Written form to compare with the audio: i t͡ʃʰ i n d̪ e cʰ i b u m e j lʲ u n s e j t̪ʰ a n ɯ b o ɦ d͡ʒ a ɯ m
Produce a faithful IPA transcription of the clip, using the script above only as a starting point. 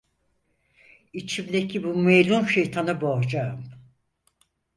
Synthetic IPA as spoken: i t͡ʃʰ i m d̪ e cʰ i b u m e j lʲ u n ʃ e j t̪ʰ a n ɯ b o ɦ d͡ʒ a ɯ m